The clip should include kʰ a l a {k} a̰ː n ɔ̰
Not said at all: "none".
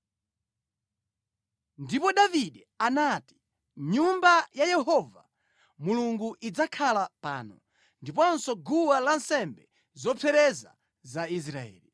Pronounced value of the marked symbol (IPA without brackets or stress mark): p